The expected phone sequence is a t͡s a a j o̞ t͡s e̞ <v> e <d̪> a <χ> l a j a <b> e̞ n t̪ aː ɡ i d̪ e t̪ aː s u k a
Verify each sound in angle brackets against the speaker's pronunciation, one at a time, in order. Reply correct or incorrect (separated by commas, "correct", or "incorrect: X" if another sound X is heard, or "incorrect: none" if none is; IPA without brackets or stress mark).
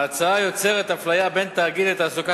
incorrect: ʁ, incorrect: t̪, incorrect: f, correct